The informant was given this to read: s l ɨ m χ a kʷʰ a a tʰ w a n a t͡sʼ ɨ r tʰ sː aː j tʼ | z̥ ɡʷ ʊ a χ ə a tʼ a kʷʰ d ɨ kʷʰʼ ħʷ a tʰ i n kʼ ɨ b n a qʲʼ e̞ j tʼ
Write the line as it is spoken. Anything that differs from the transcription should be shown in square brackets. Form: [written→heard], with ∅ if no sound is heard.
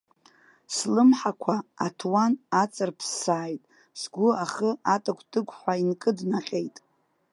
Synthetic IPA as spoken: s l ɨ m [χ→ħ] a kʷʰ a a tʰ w a n a t͡sʼ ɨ r [tʰ→pʰ] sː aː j tʼ | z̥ ɡʷ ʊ a χ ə a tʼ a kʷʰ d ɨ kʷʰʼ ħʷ a [tʰ→∅] i n kʼ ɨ [b→d] n a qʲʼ e̞ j tʼ